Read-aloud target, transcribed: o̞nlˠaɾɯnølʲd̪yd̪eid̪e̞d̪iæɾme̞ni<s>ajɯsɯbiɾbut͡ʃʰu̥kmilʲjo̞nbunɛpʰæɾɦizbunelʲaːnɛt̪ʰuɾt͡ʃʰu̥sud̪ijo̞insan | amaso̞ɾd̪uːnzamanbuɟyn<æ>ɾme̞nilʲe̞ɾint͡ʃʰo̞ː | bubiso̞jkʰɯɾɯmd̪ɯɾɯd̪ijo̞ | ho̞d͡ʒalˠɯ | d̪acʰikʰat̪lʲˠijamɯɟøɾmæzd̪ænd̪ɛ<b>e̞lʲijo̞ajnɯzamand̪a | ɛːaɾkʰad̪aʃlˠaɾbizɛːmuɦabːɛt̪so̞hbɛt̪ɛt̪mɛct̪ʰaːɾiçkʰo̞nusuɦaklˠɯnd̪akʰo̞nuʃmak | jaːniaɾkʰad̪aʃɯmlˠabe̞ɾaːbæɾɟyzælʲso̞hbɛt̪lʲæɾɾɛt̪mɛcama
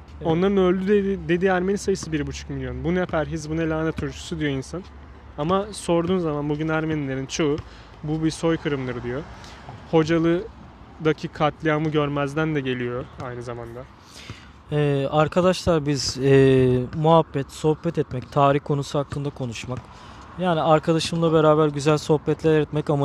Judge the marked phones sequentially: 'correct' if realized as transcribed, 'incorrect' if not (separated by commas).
correct, correct, incorrect